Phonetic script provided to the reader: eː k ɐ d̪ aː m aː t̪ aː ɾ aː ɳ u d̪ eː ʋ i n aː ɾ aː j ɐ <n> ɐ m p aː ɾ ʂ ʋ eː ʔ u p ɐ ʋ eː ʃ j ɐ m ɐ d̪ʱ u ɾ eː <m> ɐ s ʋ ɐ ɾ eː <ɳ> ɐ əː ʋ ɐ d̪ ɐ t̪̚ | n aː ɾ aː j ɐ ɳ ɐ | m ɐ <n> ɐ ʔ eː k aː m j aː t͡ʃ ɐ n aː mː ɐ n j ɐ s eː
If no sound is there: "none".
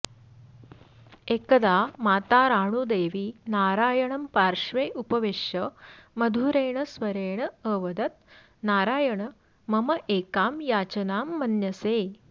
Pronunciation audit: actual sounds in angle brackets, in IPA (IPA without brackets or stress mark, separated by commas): ɳ, ɳ, ɳ, m